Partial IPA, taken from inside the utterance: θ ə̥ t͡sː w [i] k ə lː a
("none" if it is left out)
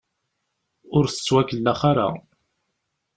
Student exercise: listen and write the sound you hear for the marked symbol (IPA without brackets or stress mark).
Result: æ